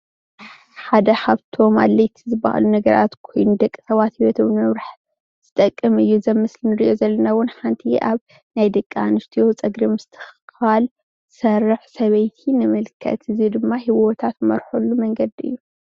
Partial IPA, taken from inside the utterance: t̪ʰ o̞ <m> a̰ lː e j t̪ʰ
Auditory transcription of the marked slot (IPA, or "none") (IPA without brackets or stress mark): m